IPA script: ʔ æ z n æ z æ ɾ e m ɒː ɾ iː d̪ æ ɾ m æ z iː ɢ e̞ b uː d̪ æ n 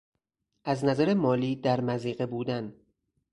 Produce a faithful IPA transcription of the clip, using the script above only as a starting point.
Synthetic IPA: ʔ æ z n æ z æ ɾ e m ɒː l iː d̪ æ ɾ m æ z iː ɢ e̞ b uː d̪ æ n